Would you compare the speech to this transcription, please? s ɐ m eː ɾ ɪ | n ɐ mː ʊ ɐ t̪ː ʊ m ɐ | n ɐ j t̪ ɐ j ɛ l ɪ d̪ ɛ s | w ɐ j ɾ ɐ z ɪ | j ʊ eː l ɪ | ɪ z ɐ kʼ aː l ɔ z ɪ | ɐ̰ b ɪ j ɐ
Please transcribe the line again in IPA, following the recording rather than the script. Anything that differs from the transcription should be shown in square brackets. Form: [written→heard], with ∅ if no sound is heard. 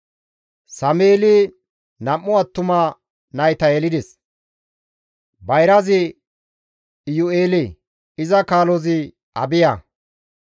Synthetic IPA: s ɐ m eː [ɾ→l] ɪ | n ɐ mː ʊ ɐ t̪ː ʊ m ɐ | n ɐ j t̪ ɐ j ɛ l ɪ d̪ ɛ s | [w→b] ɐ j ɾ ɐ z ɪ | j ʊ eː l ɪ | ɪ z ɐ [kʼ→k] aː l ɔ z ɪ | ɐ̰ b ɪ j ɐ